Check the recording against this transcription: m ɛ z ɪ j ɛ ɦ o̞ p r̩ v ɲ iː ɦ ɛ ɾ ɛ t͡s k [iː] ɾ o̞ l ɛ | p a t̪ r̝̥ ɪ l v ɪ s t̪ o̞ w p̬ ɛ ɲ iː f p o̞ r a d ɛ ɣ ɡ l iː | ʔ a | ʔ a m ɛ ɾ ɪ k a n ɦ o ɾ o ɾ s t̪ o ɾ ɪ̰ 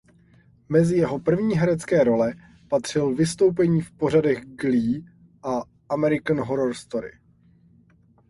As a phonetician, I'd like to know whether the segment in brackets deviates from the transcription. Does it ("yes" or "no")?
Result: yes